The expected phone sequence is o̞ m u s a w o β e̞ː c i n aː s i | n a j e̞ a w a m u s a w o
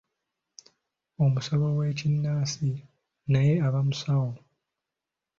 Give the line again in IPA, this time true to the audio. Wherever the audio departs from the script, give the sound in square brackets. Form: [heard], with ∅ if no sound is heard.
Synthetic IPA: o̞ m u s a [β] o [w] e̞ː c i [nː] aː s i | n a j e̞ a [β] a m u s a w o